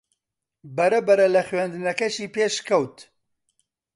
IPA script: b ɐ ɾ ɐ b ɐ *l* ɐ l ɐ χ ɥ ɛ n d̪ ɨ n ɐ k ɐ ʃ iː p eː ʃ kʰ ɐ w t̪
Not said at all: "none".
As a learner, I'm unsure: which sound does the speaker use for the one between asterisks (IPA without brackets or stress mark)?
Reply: ɾ